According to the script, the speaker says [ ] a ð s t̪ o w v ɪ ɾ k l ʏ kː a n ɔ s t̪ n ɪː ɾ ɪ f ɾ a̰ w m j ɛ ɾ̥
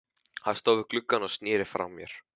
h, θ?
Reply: h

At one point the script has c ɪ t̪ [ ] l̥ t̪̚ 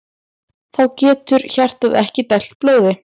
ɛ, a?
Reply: ɛ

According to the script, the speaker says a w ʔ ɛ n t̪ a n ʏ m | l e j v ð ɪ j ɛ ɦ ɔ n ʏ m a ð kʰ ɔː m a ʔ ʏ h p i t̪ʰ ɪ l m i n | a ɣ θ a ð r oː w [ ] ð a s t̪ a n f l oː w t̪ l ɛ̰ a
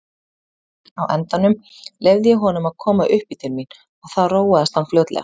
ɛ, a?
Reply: a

